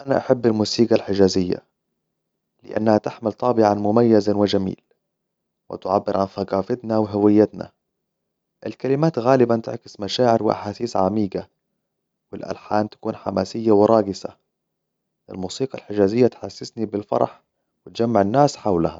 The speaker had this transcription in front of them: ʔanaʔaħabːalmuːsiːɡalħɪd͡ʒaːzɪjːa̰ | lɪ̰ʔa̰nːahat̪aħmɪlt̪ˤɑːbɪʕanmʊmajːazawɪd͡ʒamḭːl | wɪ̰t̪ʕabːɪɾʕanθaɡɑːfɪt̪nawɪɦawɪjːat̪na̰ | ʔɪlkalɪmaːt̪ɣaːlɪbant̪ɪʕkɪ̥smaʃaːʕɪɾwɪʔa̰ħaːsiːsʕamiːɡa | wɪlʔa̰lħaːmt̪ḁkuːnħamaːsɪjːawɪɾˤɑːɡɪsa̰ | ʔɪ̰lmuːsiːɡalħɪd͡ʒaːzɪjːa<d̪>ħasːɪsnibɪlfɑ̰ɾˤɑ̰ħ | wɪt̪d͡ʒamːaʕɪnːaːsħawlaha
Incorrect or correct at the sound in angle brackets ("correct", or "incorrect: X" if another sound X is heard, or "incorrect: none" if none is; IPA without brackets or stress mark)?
incorrect: t̪